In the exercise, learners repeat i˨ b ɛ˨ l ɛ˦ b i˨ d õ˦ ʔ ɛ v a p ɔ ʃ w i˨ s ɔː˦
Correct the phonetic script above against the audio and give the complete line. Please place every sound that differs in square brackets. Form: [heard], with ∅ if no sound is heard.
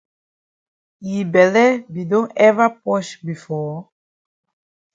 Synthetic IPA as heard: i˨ b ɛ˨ l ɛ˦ b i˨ d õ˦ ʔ ɛ v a p ɔ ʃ [b] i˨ [f] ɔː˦